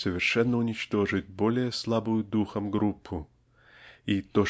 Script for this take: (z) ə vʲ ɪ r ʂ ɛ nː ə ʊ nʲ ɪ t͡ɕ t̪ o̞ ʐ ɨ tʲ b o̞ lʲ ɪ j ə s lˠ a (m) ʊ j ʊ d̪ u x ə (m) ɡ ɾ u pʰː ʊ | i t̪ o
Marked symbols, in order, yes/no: no, no, yes

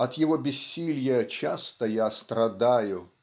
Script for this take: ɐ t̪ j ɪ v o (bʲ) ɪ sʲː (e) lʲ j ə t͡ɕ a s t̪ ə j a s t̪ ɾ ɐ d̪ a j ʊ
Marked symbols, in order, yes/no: yes, no

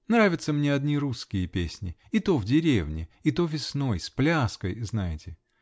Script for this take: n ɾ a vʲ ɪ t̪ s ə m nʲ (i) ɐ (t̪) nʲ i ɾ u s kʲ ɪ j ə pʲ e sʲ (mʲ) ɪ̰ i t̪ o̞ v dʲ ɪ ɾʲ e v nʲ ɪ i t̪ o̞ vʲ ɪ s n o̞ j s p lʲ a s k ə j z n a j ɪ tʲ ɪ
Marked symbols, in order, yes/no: no, no, no

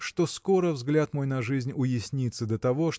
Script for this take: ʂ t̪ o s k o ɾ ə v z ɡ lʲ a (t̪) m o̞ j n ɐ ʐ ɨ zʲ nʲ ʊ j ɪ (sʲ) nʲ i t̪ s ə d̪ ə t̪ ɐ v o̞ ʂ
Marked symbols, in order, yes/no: yes, yes

